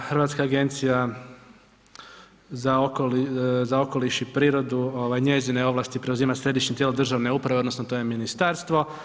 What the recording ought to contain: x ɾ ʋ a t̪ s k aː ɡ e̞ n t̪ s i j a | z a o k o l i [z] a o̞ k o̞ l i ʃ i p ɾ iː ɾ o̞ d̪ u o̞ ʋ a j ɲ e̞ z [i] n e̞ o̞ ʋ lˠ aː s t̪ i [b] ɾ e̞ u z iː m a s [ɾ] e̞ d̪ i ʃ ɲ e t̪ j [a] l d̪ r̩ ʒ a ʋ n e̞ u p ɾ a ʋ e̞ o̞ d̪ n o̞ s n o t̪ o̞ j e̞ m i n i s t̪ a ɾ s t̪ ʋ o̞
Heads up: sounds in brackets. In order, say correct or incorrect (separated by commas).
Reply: correct, correct, incorrect, correct, incorrect